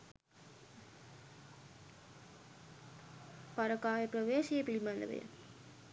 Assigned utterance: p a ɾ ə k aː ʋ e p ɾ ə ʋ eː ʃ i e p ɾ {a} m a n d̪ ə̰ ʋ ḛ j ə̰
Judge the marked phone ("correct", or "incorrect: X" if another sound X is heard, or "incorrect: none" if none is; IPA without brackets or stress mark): incorrect: i